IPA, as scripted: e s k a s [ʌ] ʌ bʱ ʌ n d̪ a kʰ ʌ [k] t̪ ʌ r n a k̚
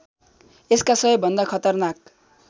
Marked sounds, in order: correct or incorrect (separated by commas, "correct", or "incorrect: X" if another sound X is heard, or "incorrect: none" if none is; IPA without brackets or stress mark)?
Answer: correct, incorrect: none